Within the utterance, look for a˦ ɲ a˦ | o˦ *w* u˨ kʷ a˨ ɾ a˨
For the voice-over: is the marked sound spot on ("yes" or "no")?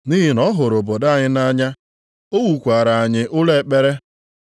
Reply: yes